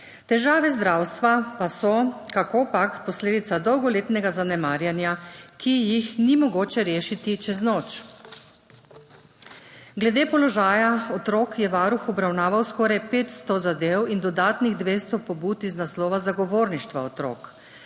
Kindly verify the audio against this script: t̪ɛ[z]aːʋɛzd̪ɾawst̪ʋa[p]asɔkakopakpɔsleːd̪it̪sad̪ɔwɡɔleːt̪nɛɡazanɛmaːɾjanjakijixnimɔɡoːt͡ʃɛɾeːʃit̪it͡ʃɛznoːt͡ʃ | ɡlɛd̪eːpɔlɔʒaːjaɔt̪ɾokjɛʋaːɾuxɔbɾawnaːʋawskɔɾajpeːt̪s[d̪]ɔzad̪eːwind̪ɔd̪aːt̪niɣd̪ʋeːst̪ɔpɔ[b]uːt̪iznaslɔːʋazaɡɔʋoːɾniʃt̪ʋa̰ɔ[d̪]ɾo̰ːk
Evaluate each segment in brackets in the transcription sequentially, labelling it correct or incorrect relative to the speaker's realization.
incorrect, correct, incorrect, correct, incorrect

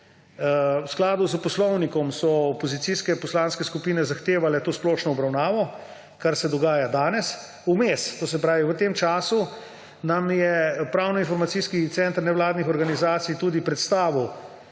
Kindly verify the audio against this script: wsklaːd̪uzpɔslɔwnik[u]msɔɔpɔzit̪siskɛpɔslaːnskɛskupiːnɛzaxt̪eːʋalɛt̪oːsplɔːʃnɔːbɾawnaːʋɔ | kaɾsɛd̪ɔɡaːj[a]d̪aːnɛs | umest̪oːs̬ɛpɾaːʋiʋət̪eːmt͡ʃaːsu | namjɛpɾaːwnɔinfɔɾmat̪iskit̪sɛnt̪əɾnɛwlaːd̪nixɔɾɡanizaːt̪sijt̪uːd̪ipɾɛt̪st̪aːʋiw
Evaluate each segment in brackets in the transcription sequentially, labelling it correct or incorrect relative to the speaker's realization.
incorrect, correct

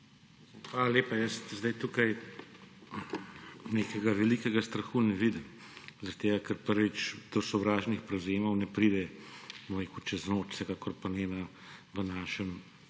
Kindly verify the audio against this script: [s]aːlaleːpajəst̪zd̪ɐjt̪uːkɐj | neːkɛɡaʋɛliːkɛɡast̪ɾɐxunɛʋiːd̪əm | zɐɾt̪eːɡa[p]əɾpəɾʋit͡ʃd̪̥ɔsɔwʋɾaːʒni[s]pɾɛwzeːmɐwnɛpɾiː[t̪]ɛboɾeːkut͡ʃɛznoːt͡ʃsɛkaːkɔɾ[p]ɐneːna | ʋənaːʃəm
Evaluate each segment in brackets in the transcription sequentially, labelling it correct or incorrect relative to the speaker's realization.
incorrect, incorrect, incorrect, incorrect, correct

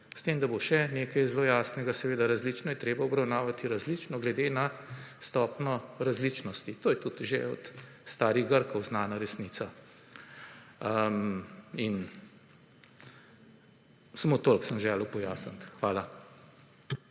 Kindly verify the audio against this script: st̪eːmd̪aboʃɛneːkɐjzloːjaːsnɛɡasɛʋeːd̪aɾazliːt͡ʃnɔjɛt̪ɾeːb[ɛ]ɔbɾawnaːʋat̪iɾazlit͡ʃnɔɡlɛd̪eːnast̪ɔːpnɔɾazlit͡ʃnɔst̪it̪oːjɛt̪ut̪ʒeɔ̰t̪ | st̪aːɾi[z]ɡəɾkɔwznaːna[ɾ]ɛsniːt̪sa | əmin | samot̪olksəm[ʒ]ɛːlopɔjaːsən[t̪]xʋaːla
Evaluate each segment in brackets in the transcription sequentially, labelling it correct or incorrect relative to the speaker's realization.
incorrect, incorrect, correct, correct, correct

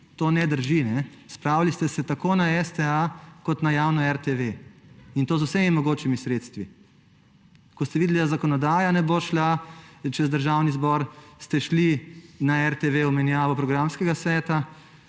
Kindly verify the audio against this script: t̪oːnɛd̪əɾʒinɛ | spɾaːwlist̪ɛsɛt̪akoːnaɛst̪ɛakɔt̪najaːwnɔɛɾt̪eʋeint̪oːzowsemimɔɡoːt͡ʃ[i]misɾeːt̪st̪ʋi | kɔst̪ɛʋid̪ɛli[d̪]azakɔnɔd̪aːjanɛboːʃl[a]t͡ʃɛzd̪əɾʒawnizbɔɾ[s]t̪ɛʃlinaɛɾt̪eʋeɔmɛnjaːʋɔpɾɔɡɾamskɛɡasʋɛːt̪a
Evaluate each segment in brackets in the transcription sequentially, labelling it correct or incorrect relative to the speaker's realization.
correct, correct, correct, correct

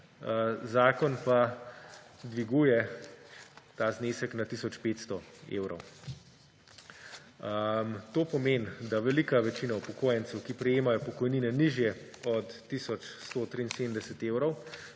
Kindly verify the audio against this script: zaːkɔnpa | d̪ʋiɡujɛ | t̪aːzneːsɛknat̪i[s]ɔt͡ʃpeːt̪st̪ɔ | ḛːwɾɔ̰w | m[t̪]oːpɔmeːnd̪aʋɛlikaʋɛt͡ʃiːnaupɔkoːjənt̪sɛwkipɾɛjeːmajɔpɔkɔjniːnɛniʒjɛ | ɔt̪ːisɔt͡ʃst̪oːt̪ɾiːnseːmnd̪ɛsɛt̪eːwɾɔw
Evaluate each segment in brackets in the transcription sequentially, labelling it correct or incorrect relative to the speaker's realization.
correct, correct

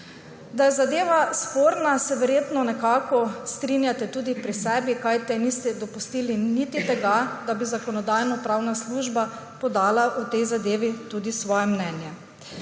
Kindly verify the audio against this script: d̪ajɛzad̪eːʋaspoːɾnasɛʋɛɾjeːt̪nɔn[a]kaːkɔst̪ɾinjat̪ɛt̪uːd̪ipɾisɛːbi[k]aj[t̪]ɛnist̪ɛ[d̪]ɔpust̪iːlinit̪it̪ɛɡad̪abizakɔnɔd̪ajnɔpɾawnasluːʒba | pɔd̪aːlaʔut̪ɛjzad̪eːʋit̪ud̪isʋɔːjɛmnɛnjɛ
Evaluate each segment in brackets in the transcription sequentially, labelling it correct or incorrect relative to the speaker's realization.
incorrect, correct, correct, correct

